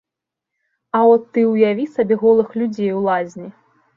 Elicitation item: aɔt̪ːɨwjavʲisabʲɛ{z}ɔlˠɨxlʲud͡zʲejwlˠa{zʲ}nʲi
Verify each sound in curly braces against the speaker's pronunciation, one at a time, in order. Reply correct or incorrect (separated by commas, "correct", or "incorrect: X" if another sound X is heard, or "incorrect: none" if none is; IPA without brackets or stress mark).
incorrect: ɣ, correct